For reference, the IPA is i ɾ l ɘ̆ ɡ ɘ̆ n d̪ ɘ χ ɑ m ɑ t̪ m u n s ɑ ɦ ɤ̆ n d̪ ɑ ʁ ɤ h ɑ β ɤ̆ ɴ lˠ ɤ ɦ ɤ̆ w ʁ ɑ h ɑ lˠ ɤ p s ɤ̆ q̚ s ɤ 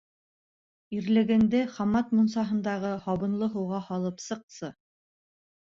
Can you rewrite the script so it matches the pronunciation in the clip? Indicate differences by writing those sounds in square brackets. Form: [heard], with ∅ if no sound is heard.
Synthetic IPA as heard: i ɾ l ɘ̆ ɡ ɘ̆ n d̪ ɘ χ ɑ m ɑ t̪ m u n s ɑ ɦ ɤ̆ n d̪ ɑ ʁ ɤ h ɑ β ɤ̆ [n] lˠ ɤ ɦ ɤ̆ w ʁ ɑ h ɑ lˠ ɤ p s ɤ̆ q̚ s ɤ